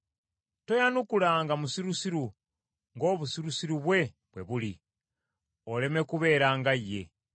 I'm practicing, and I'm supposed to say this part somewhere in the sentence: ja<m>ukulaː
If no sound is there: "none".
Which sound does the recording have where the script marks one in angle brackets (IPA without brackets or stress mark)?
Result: n